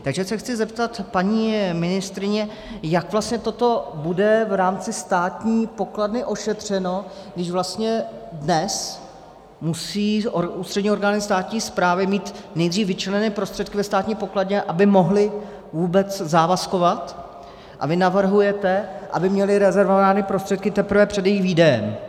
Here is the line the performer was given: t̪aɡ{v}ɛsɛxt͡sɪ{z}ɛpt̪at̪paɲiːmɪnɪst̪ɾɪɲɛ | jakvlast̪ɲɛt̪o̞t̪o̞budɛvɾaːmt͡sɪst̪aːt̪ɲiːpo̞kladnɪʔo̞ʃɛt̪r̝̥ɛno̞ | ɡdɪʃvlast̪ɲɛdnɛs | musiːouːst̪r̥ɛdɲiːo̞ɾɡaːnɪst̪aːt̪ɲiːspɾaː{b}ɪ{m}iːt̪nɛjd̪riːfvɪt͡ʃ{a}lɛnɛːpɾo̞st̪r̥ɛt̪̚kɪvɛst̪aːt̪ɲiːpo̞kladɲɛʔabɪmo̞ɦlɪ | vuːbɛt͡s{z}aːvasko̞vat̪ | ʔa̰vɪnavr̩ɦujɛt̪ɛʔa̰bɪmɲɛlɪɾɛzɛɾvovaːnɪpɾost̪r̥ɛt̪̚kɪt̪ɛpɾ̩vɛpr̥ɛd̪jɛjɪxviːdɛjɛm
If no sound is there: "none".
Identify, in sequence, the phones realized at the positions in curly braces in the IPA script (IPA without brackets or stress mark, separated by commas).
ʒ, z, v, m, ɛ, z